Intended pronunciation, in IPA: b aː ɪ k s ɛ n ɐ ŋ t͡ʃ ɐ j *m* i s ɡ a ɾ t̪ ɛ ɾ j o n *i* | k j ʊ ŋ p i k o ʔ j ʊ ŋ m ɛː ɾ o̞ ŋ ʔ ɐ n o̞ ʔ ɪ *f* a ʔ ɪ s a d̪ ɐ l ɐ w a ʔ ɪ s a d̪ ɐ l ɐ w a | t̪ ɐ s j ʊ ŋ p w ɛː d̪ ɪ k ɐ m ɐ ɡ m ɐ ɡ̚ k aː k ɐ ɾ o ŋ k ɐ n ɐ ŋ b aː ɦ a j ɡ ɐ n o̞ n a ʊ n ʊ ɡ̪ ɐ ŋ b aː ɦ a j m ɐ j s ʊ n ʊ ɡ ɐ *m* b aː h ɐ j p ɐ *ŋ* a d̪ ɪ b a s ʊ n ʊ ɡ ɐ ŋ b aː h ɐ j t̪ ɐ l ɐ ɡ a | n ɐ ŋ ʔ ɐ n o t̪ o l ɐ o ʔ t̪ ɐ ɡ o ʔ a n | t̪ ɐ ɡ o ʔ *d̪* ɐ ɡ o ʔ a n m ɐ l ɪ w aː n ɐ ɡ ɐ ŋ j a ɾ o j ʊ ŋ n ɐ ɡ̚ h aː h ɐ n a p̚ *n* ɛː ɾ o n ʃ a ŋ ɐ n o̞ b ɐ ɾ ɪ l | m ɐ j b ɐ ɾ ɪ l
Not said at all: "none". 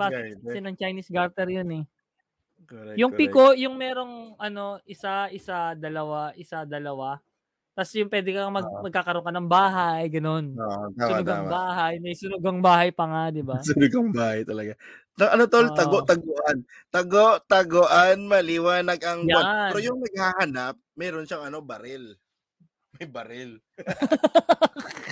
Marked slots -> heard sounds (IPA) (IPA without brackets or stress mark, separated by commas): n, ɛ, s, ŋ, ŋ, t̪, m